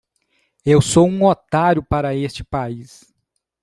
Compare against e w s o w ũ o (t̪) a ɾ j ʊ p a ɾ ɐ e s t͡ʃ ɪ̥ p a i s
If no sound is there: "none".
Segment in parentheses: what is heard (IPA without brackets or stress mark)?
t̪